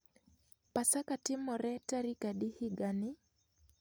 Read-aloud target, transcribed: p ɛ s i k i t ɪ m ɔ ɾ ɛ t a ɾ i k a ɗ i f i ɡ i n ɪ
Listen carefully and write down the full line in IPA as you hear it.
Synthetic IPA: p a s a k a t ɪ m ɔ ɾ ɛ t a ɾ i k a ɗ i h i ɡ a n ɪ